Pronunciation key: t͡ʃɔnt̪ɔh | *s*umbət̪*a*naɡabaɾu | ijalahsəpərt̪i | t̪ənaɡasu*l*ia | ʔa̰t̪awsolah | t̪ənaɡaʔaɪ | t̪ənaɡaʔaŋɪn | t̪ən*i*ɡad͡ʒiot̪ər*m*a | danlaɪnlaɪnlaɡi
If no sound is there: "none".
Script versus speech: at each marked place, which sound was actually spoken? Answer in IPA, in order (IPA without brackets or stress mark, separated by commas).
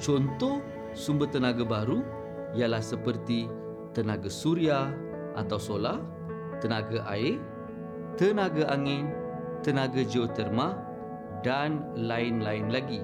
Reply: s, ə, ɾ, a, m